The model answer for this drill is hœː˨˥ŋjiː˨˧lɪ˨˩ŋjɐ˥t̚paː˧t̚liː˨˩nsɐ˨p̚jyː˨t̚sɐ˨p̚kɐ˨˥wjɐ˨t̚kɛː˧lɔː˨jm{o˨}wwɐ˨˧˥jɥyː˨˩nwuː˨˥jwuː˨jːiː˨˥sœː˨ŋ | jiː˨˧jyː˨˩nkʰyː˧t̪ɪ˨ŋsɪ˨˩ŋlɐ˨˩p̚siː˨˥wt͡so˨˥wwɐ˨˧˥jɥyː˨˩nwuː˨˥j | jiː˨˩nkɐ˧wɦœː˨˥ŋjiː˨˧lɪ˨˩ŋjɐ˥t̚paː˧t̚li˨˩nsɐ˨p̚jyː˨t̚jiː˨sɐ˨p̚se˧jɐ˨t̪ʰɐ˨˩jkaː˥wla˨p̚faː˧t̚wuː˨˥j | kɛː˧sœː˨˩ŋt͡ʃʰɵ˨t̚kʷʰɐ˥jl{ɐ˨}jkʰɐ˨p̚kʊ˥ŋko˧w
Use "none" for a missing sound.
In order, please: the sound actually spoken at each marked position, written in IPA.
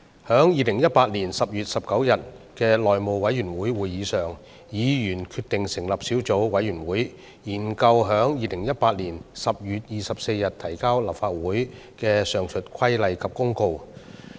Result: o˨, ɐ˨

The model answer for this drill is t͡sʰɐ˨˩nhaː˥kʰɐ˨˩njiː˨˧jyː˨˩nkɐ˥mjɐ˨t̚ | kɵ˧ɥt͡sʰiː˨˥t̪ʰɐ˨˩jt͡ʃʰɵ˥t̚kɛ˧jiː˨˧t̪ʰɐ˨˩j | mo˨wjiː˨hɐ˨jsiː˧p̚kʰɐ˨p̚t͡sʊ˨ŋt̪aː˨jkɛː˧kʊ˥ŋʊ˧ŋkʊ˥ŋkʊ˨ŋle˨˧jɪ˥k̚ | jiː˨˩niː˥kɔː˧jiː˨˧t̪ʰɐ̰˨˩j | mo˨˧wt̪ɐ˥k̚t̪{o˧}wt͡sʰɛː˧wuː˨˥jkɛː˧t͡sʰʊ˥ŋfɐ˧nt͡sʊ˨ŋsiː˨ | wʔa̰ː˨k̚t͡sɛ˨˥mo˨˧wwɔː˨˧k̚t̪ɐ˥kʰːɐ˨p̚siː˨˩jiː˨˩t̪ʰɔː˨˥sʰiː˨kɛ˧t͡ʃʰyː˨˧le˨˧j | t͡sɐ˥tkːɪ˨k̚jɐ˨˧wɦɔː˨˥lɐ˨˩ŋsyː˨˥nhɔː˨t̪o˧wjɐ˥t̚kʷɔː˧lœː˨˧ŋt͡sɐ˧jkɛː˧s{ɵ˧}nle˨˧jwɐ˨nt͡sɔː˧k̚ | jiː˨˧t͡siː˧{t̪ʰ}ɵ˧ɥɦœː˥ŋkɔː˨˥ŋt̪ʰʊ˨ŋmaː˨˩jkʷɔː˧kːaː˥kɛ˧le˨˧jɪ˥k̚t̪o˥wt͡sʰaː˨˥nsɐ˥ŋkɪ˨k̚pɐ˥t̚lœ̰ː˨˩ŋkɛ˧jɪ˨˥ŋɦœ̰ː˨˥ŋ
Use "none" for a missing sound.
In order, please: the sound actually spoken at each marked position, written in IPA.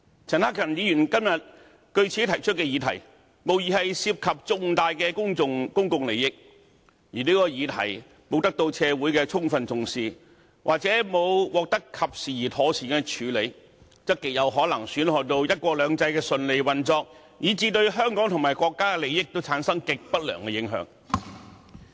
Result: o˧, ɵ˧, t̪

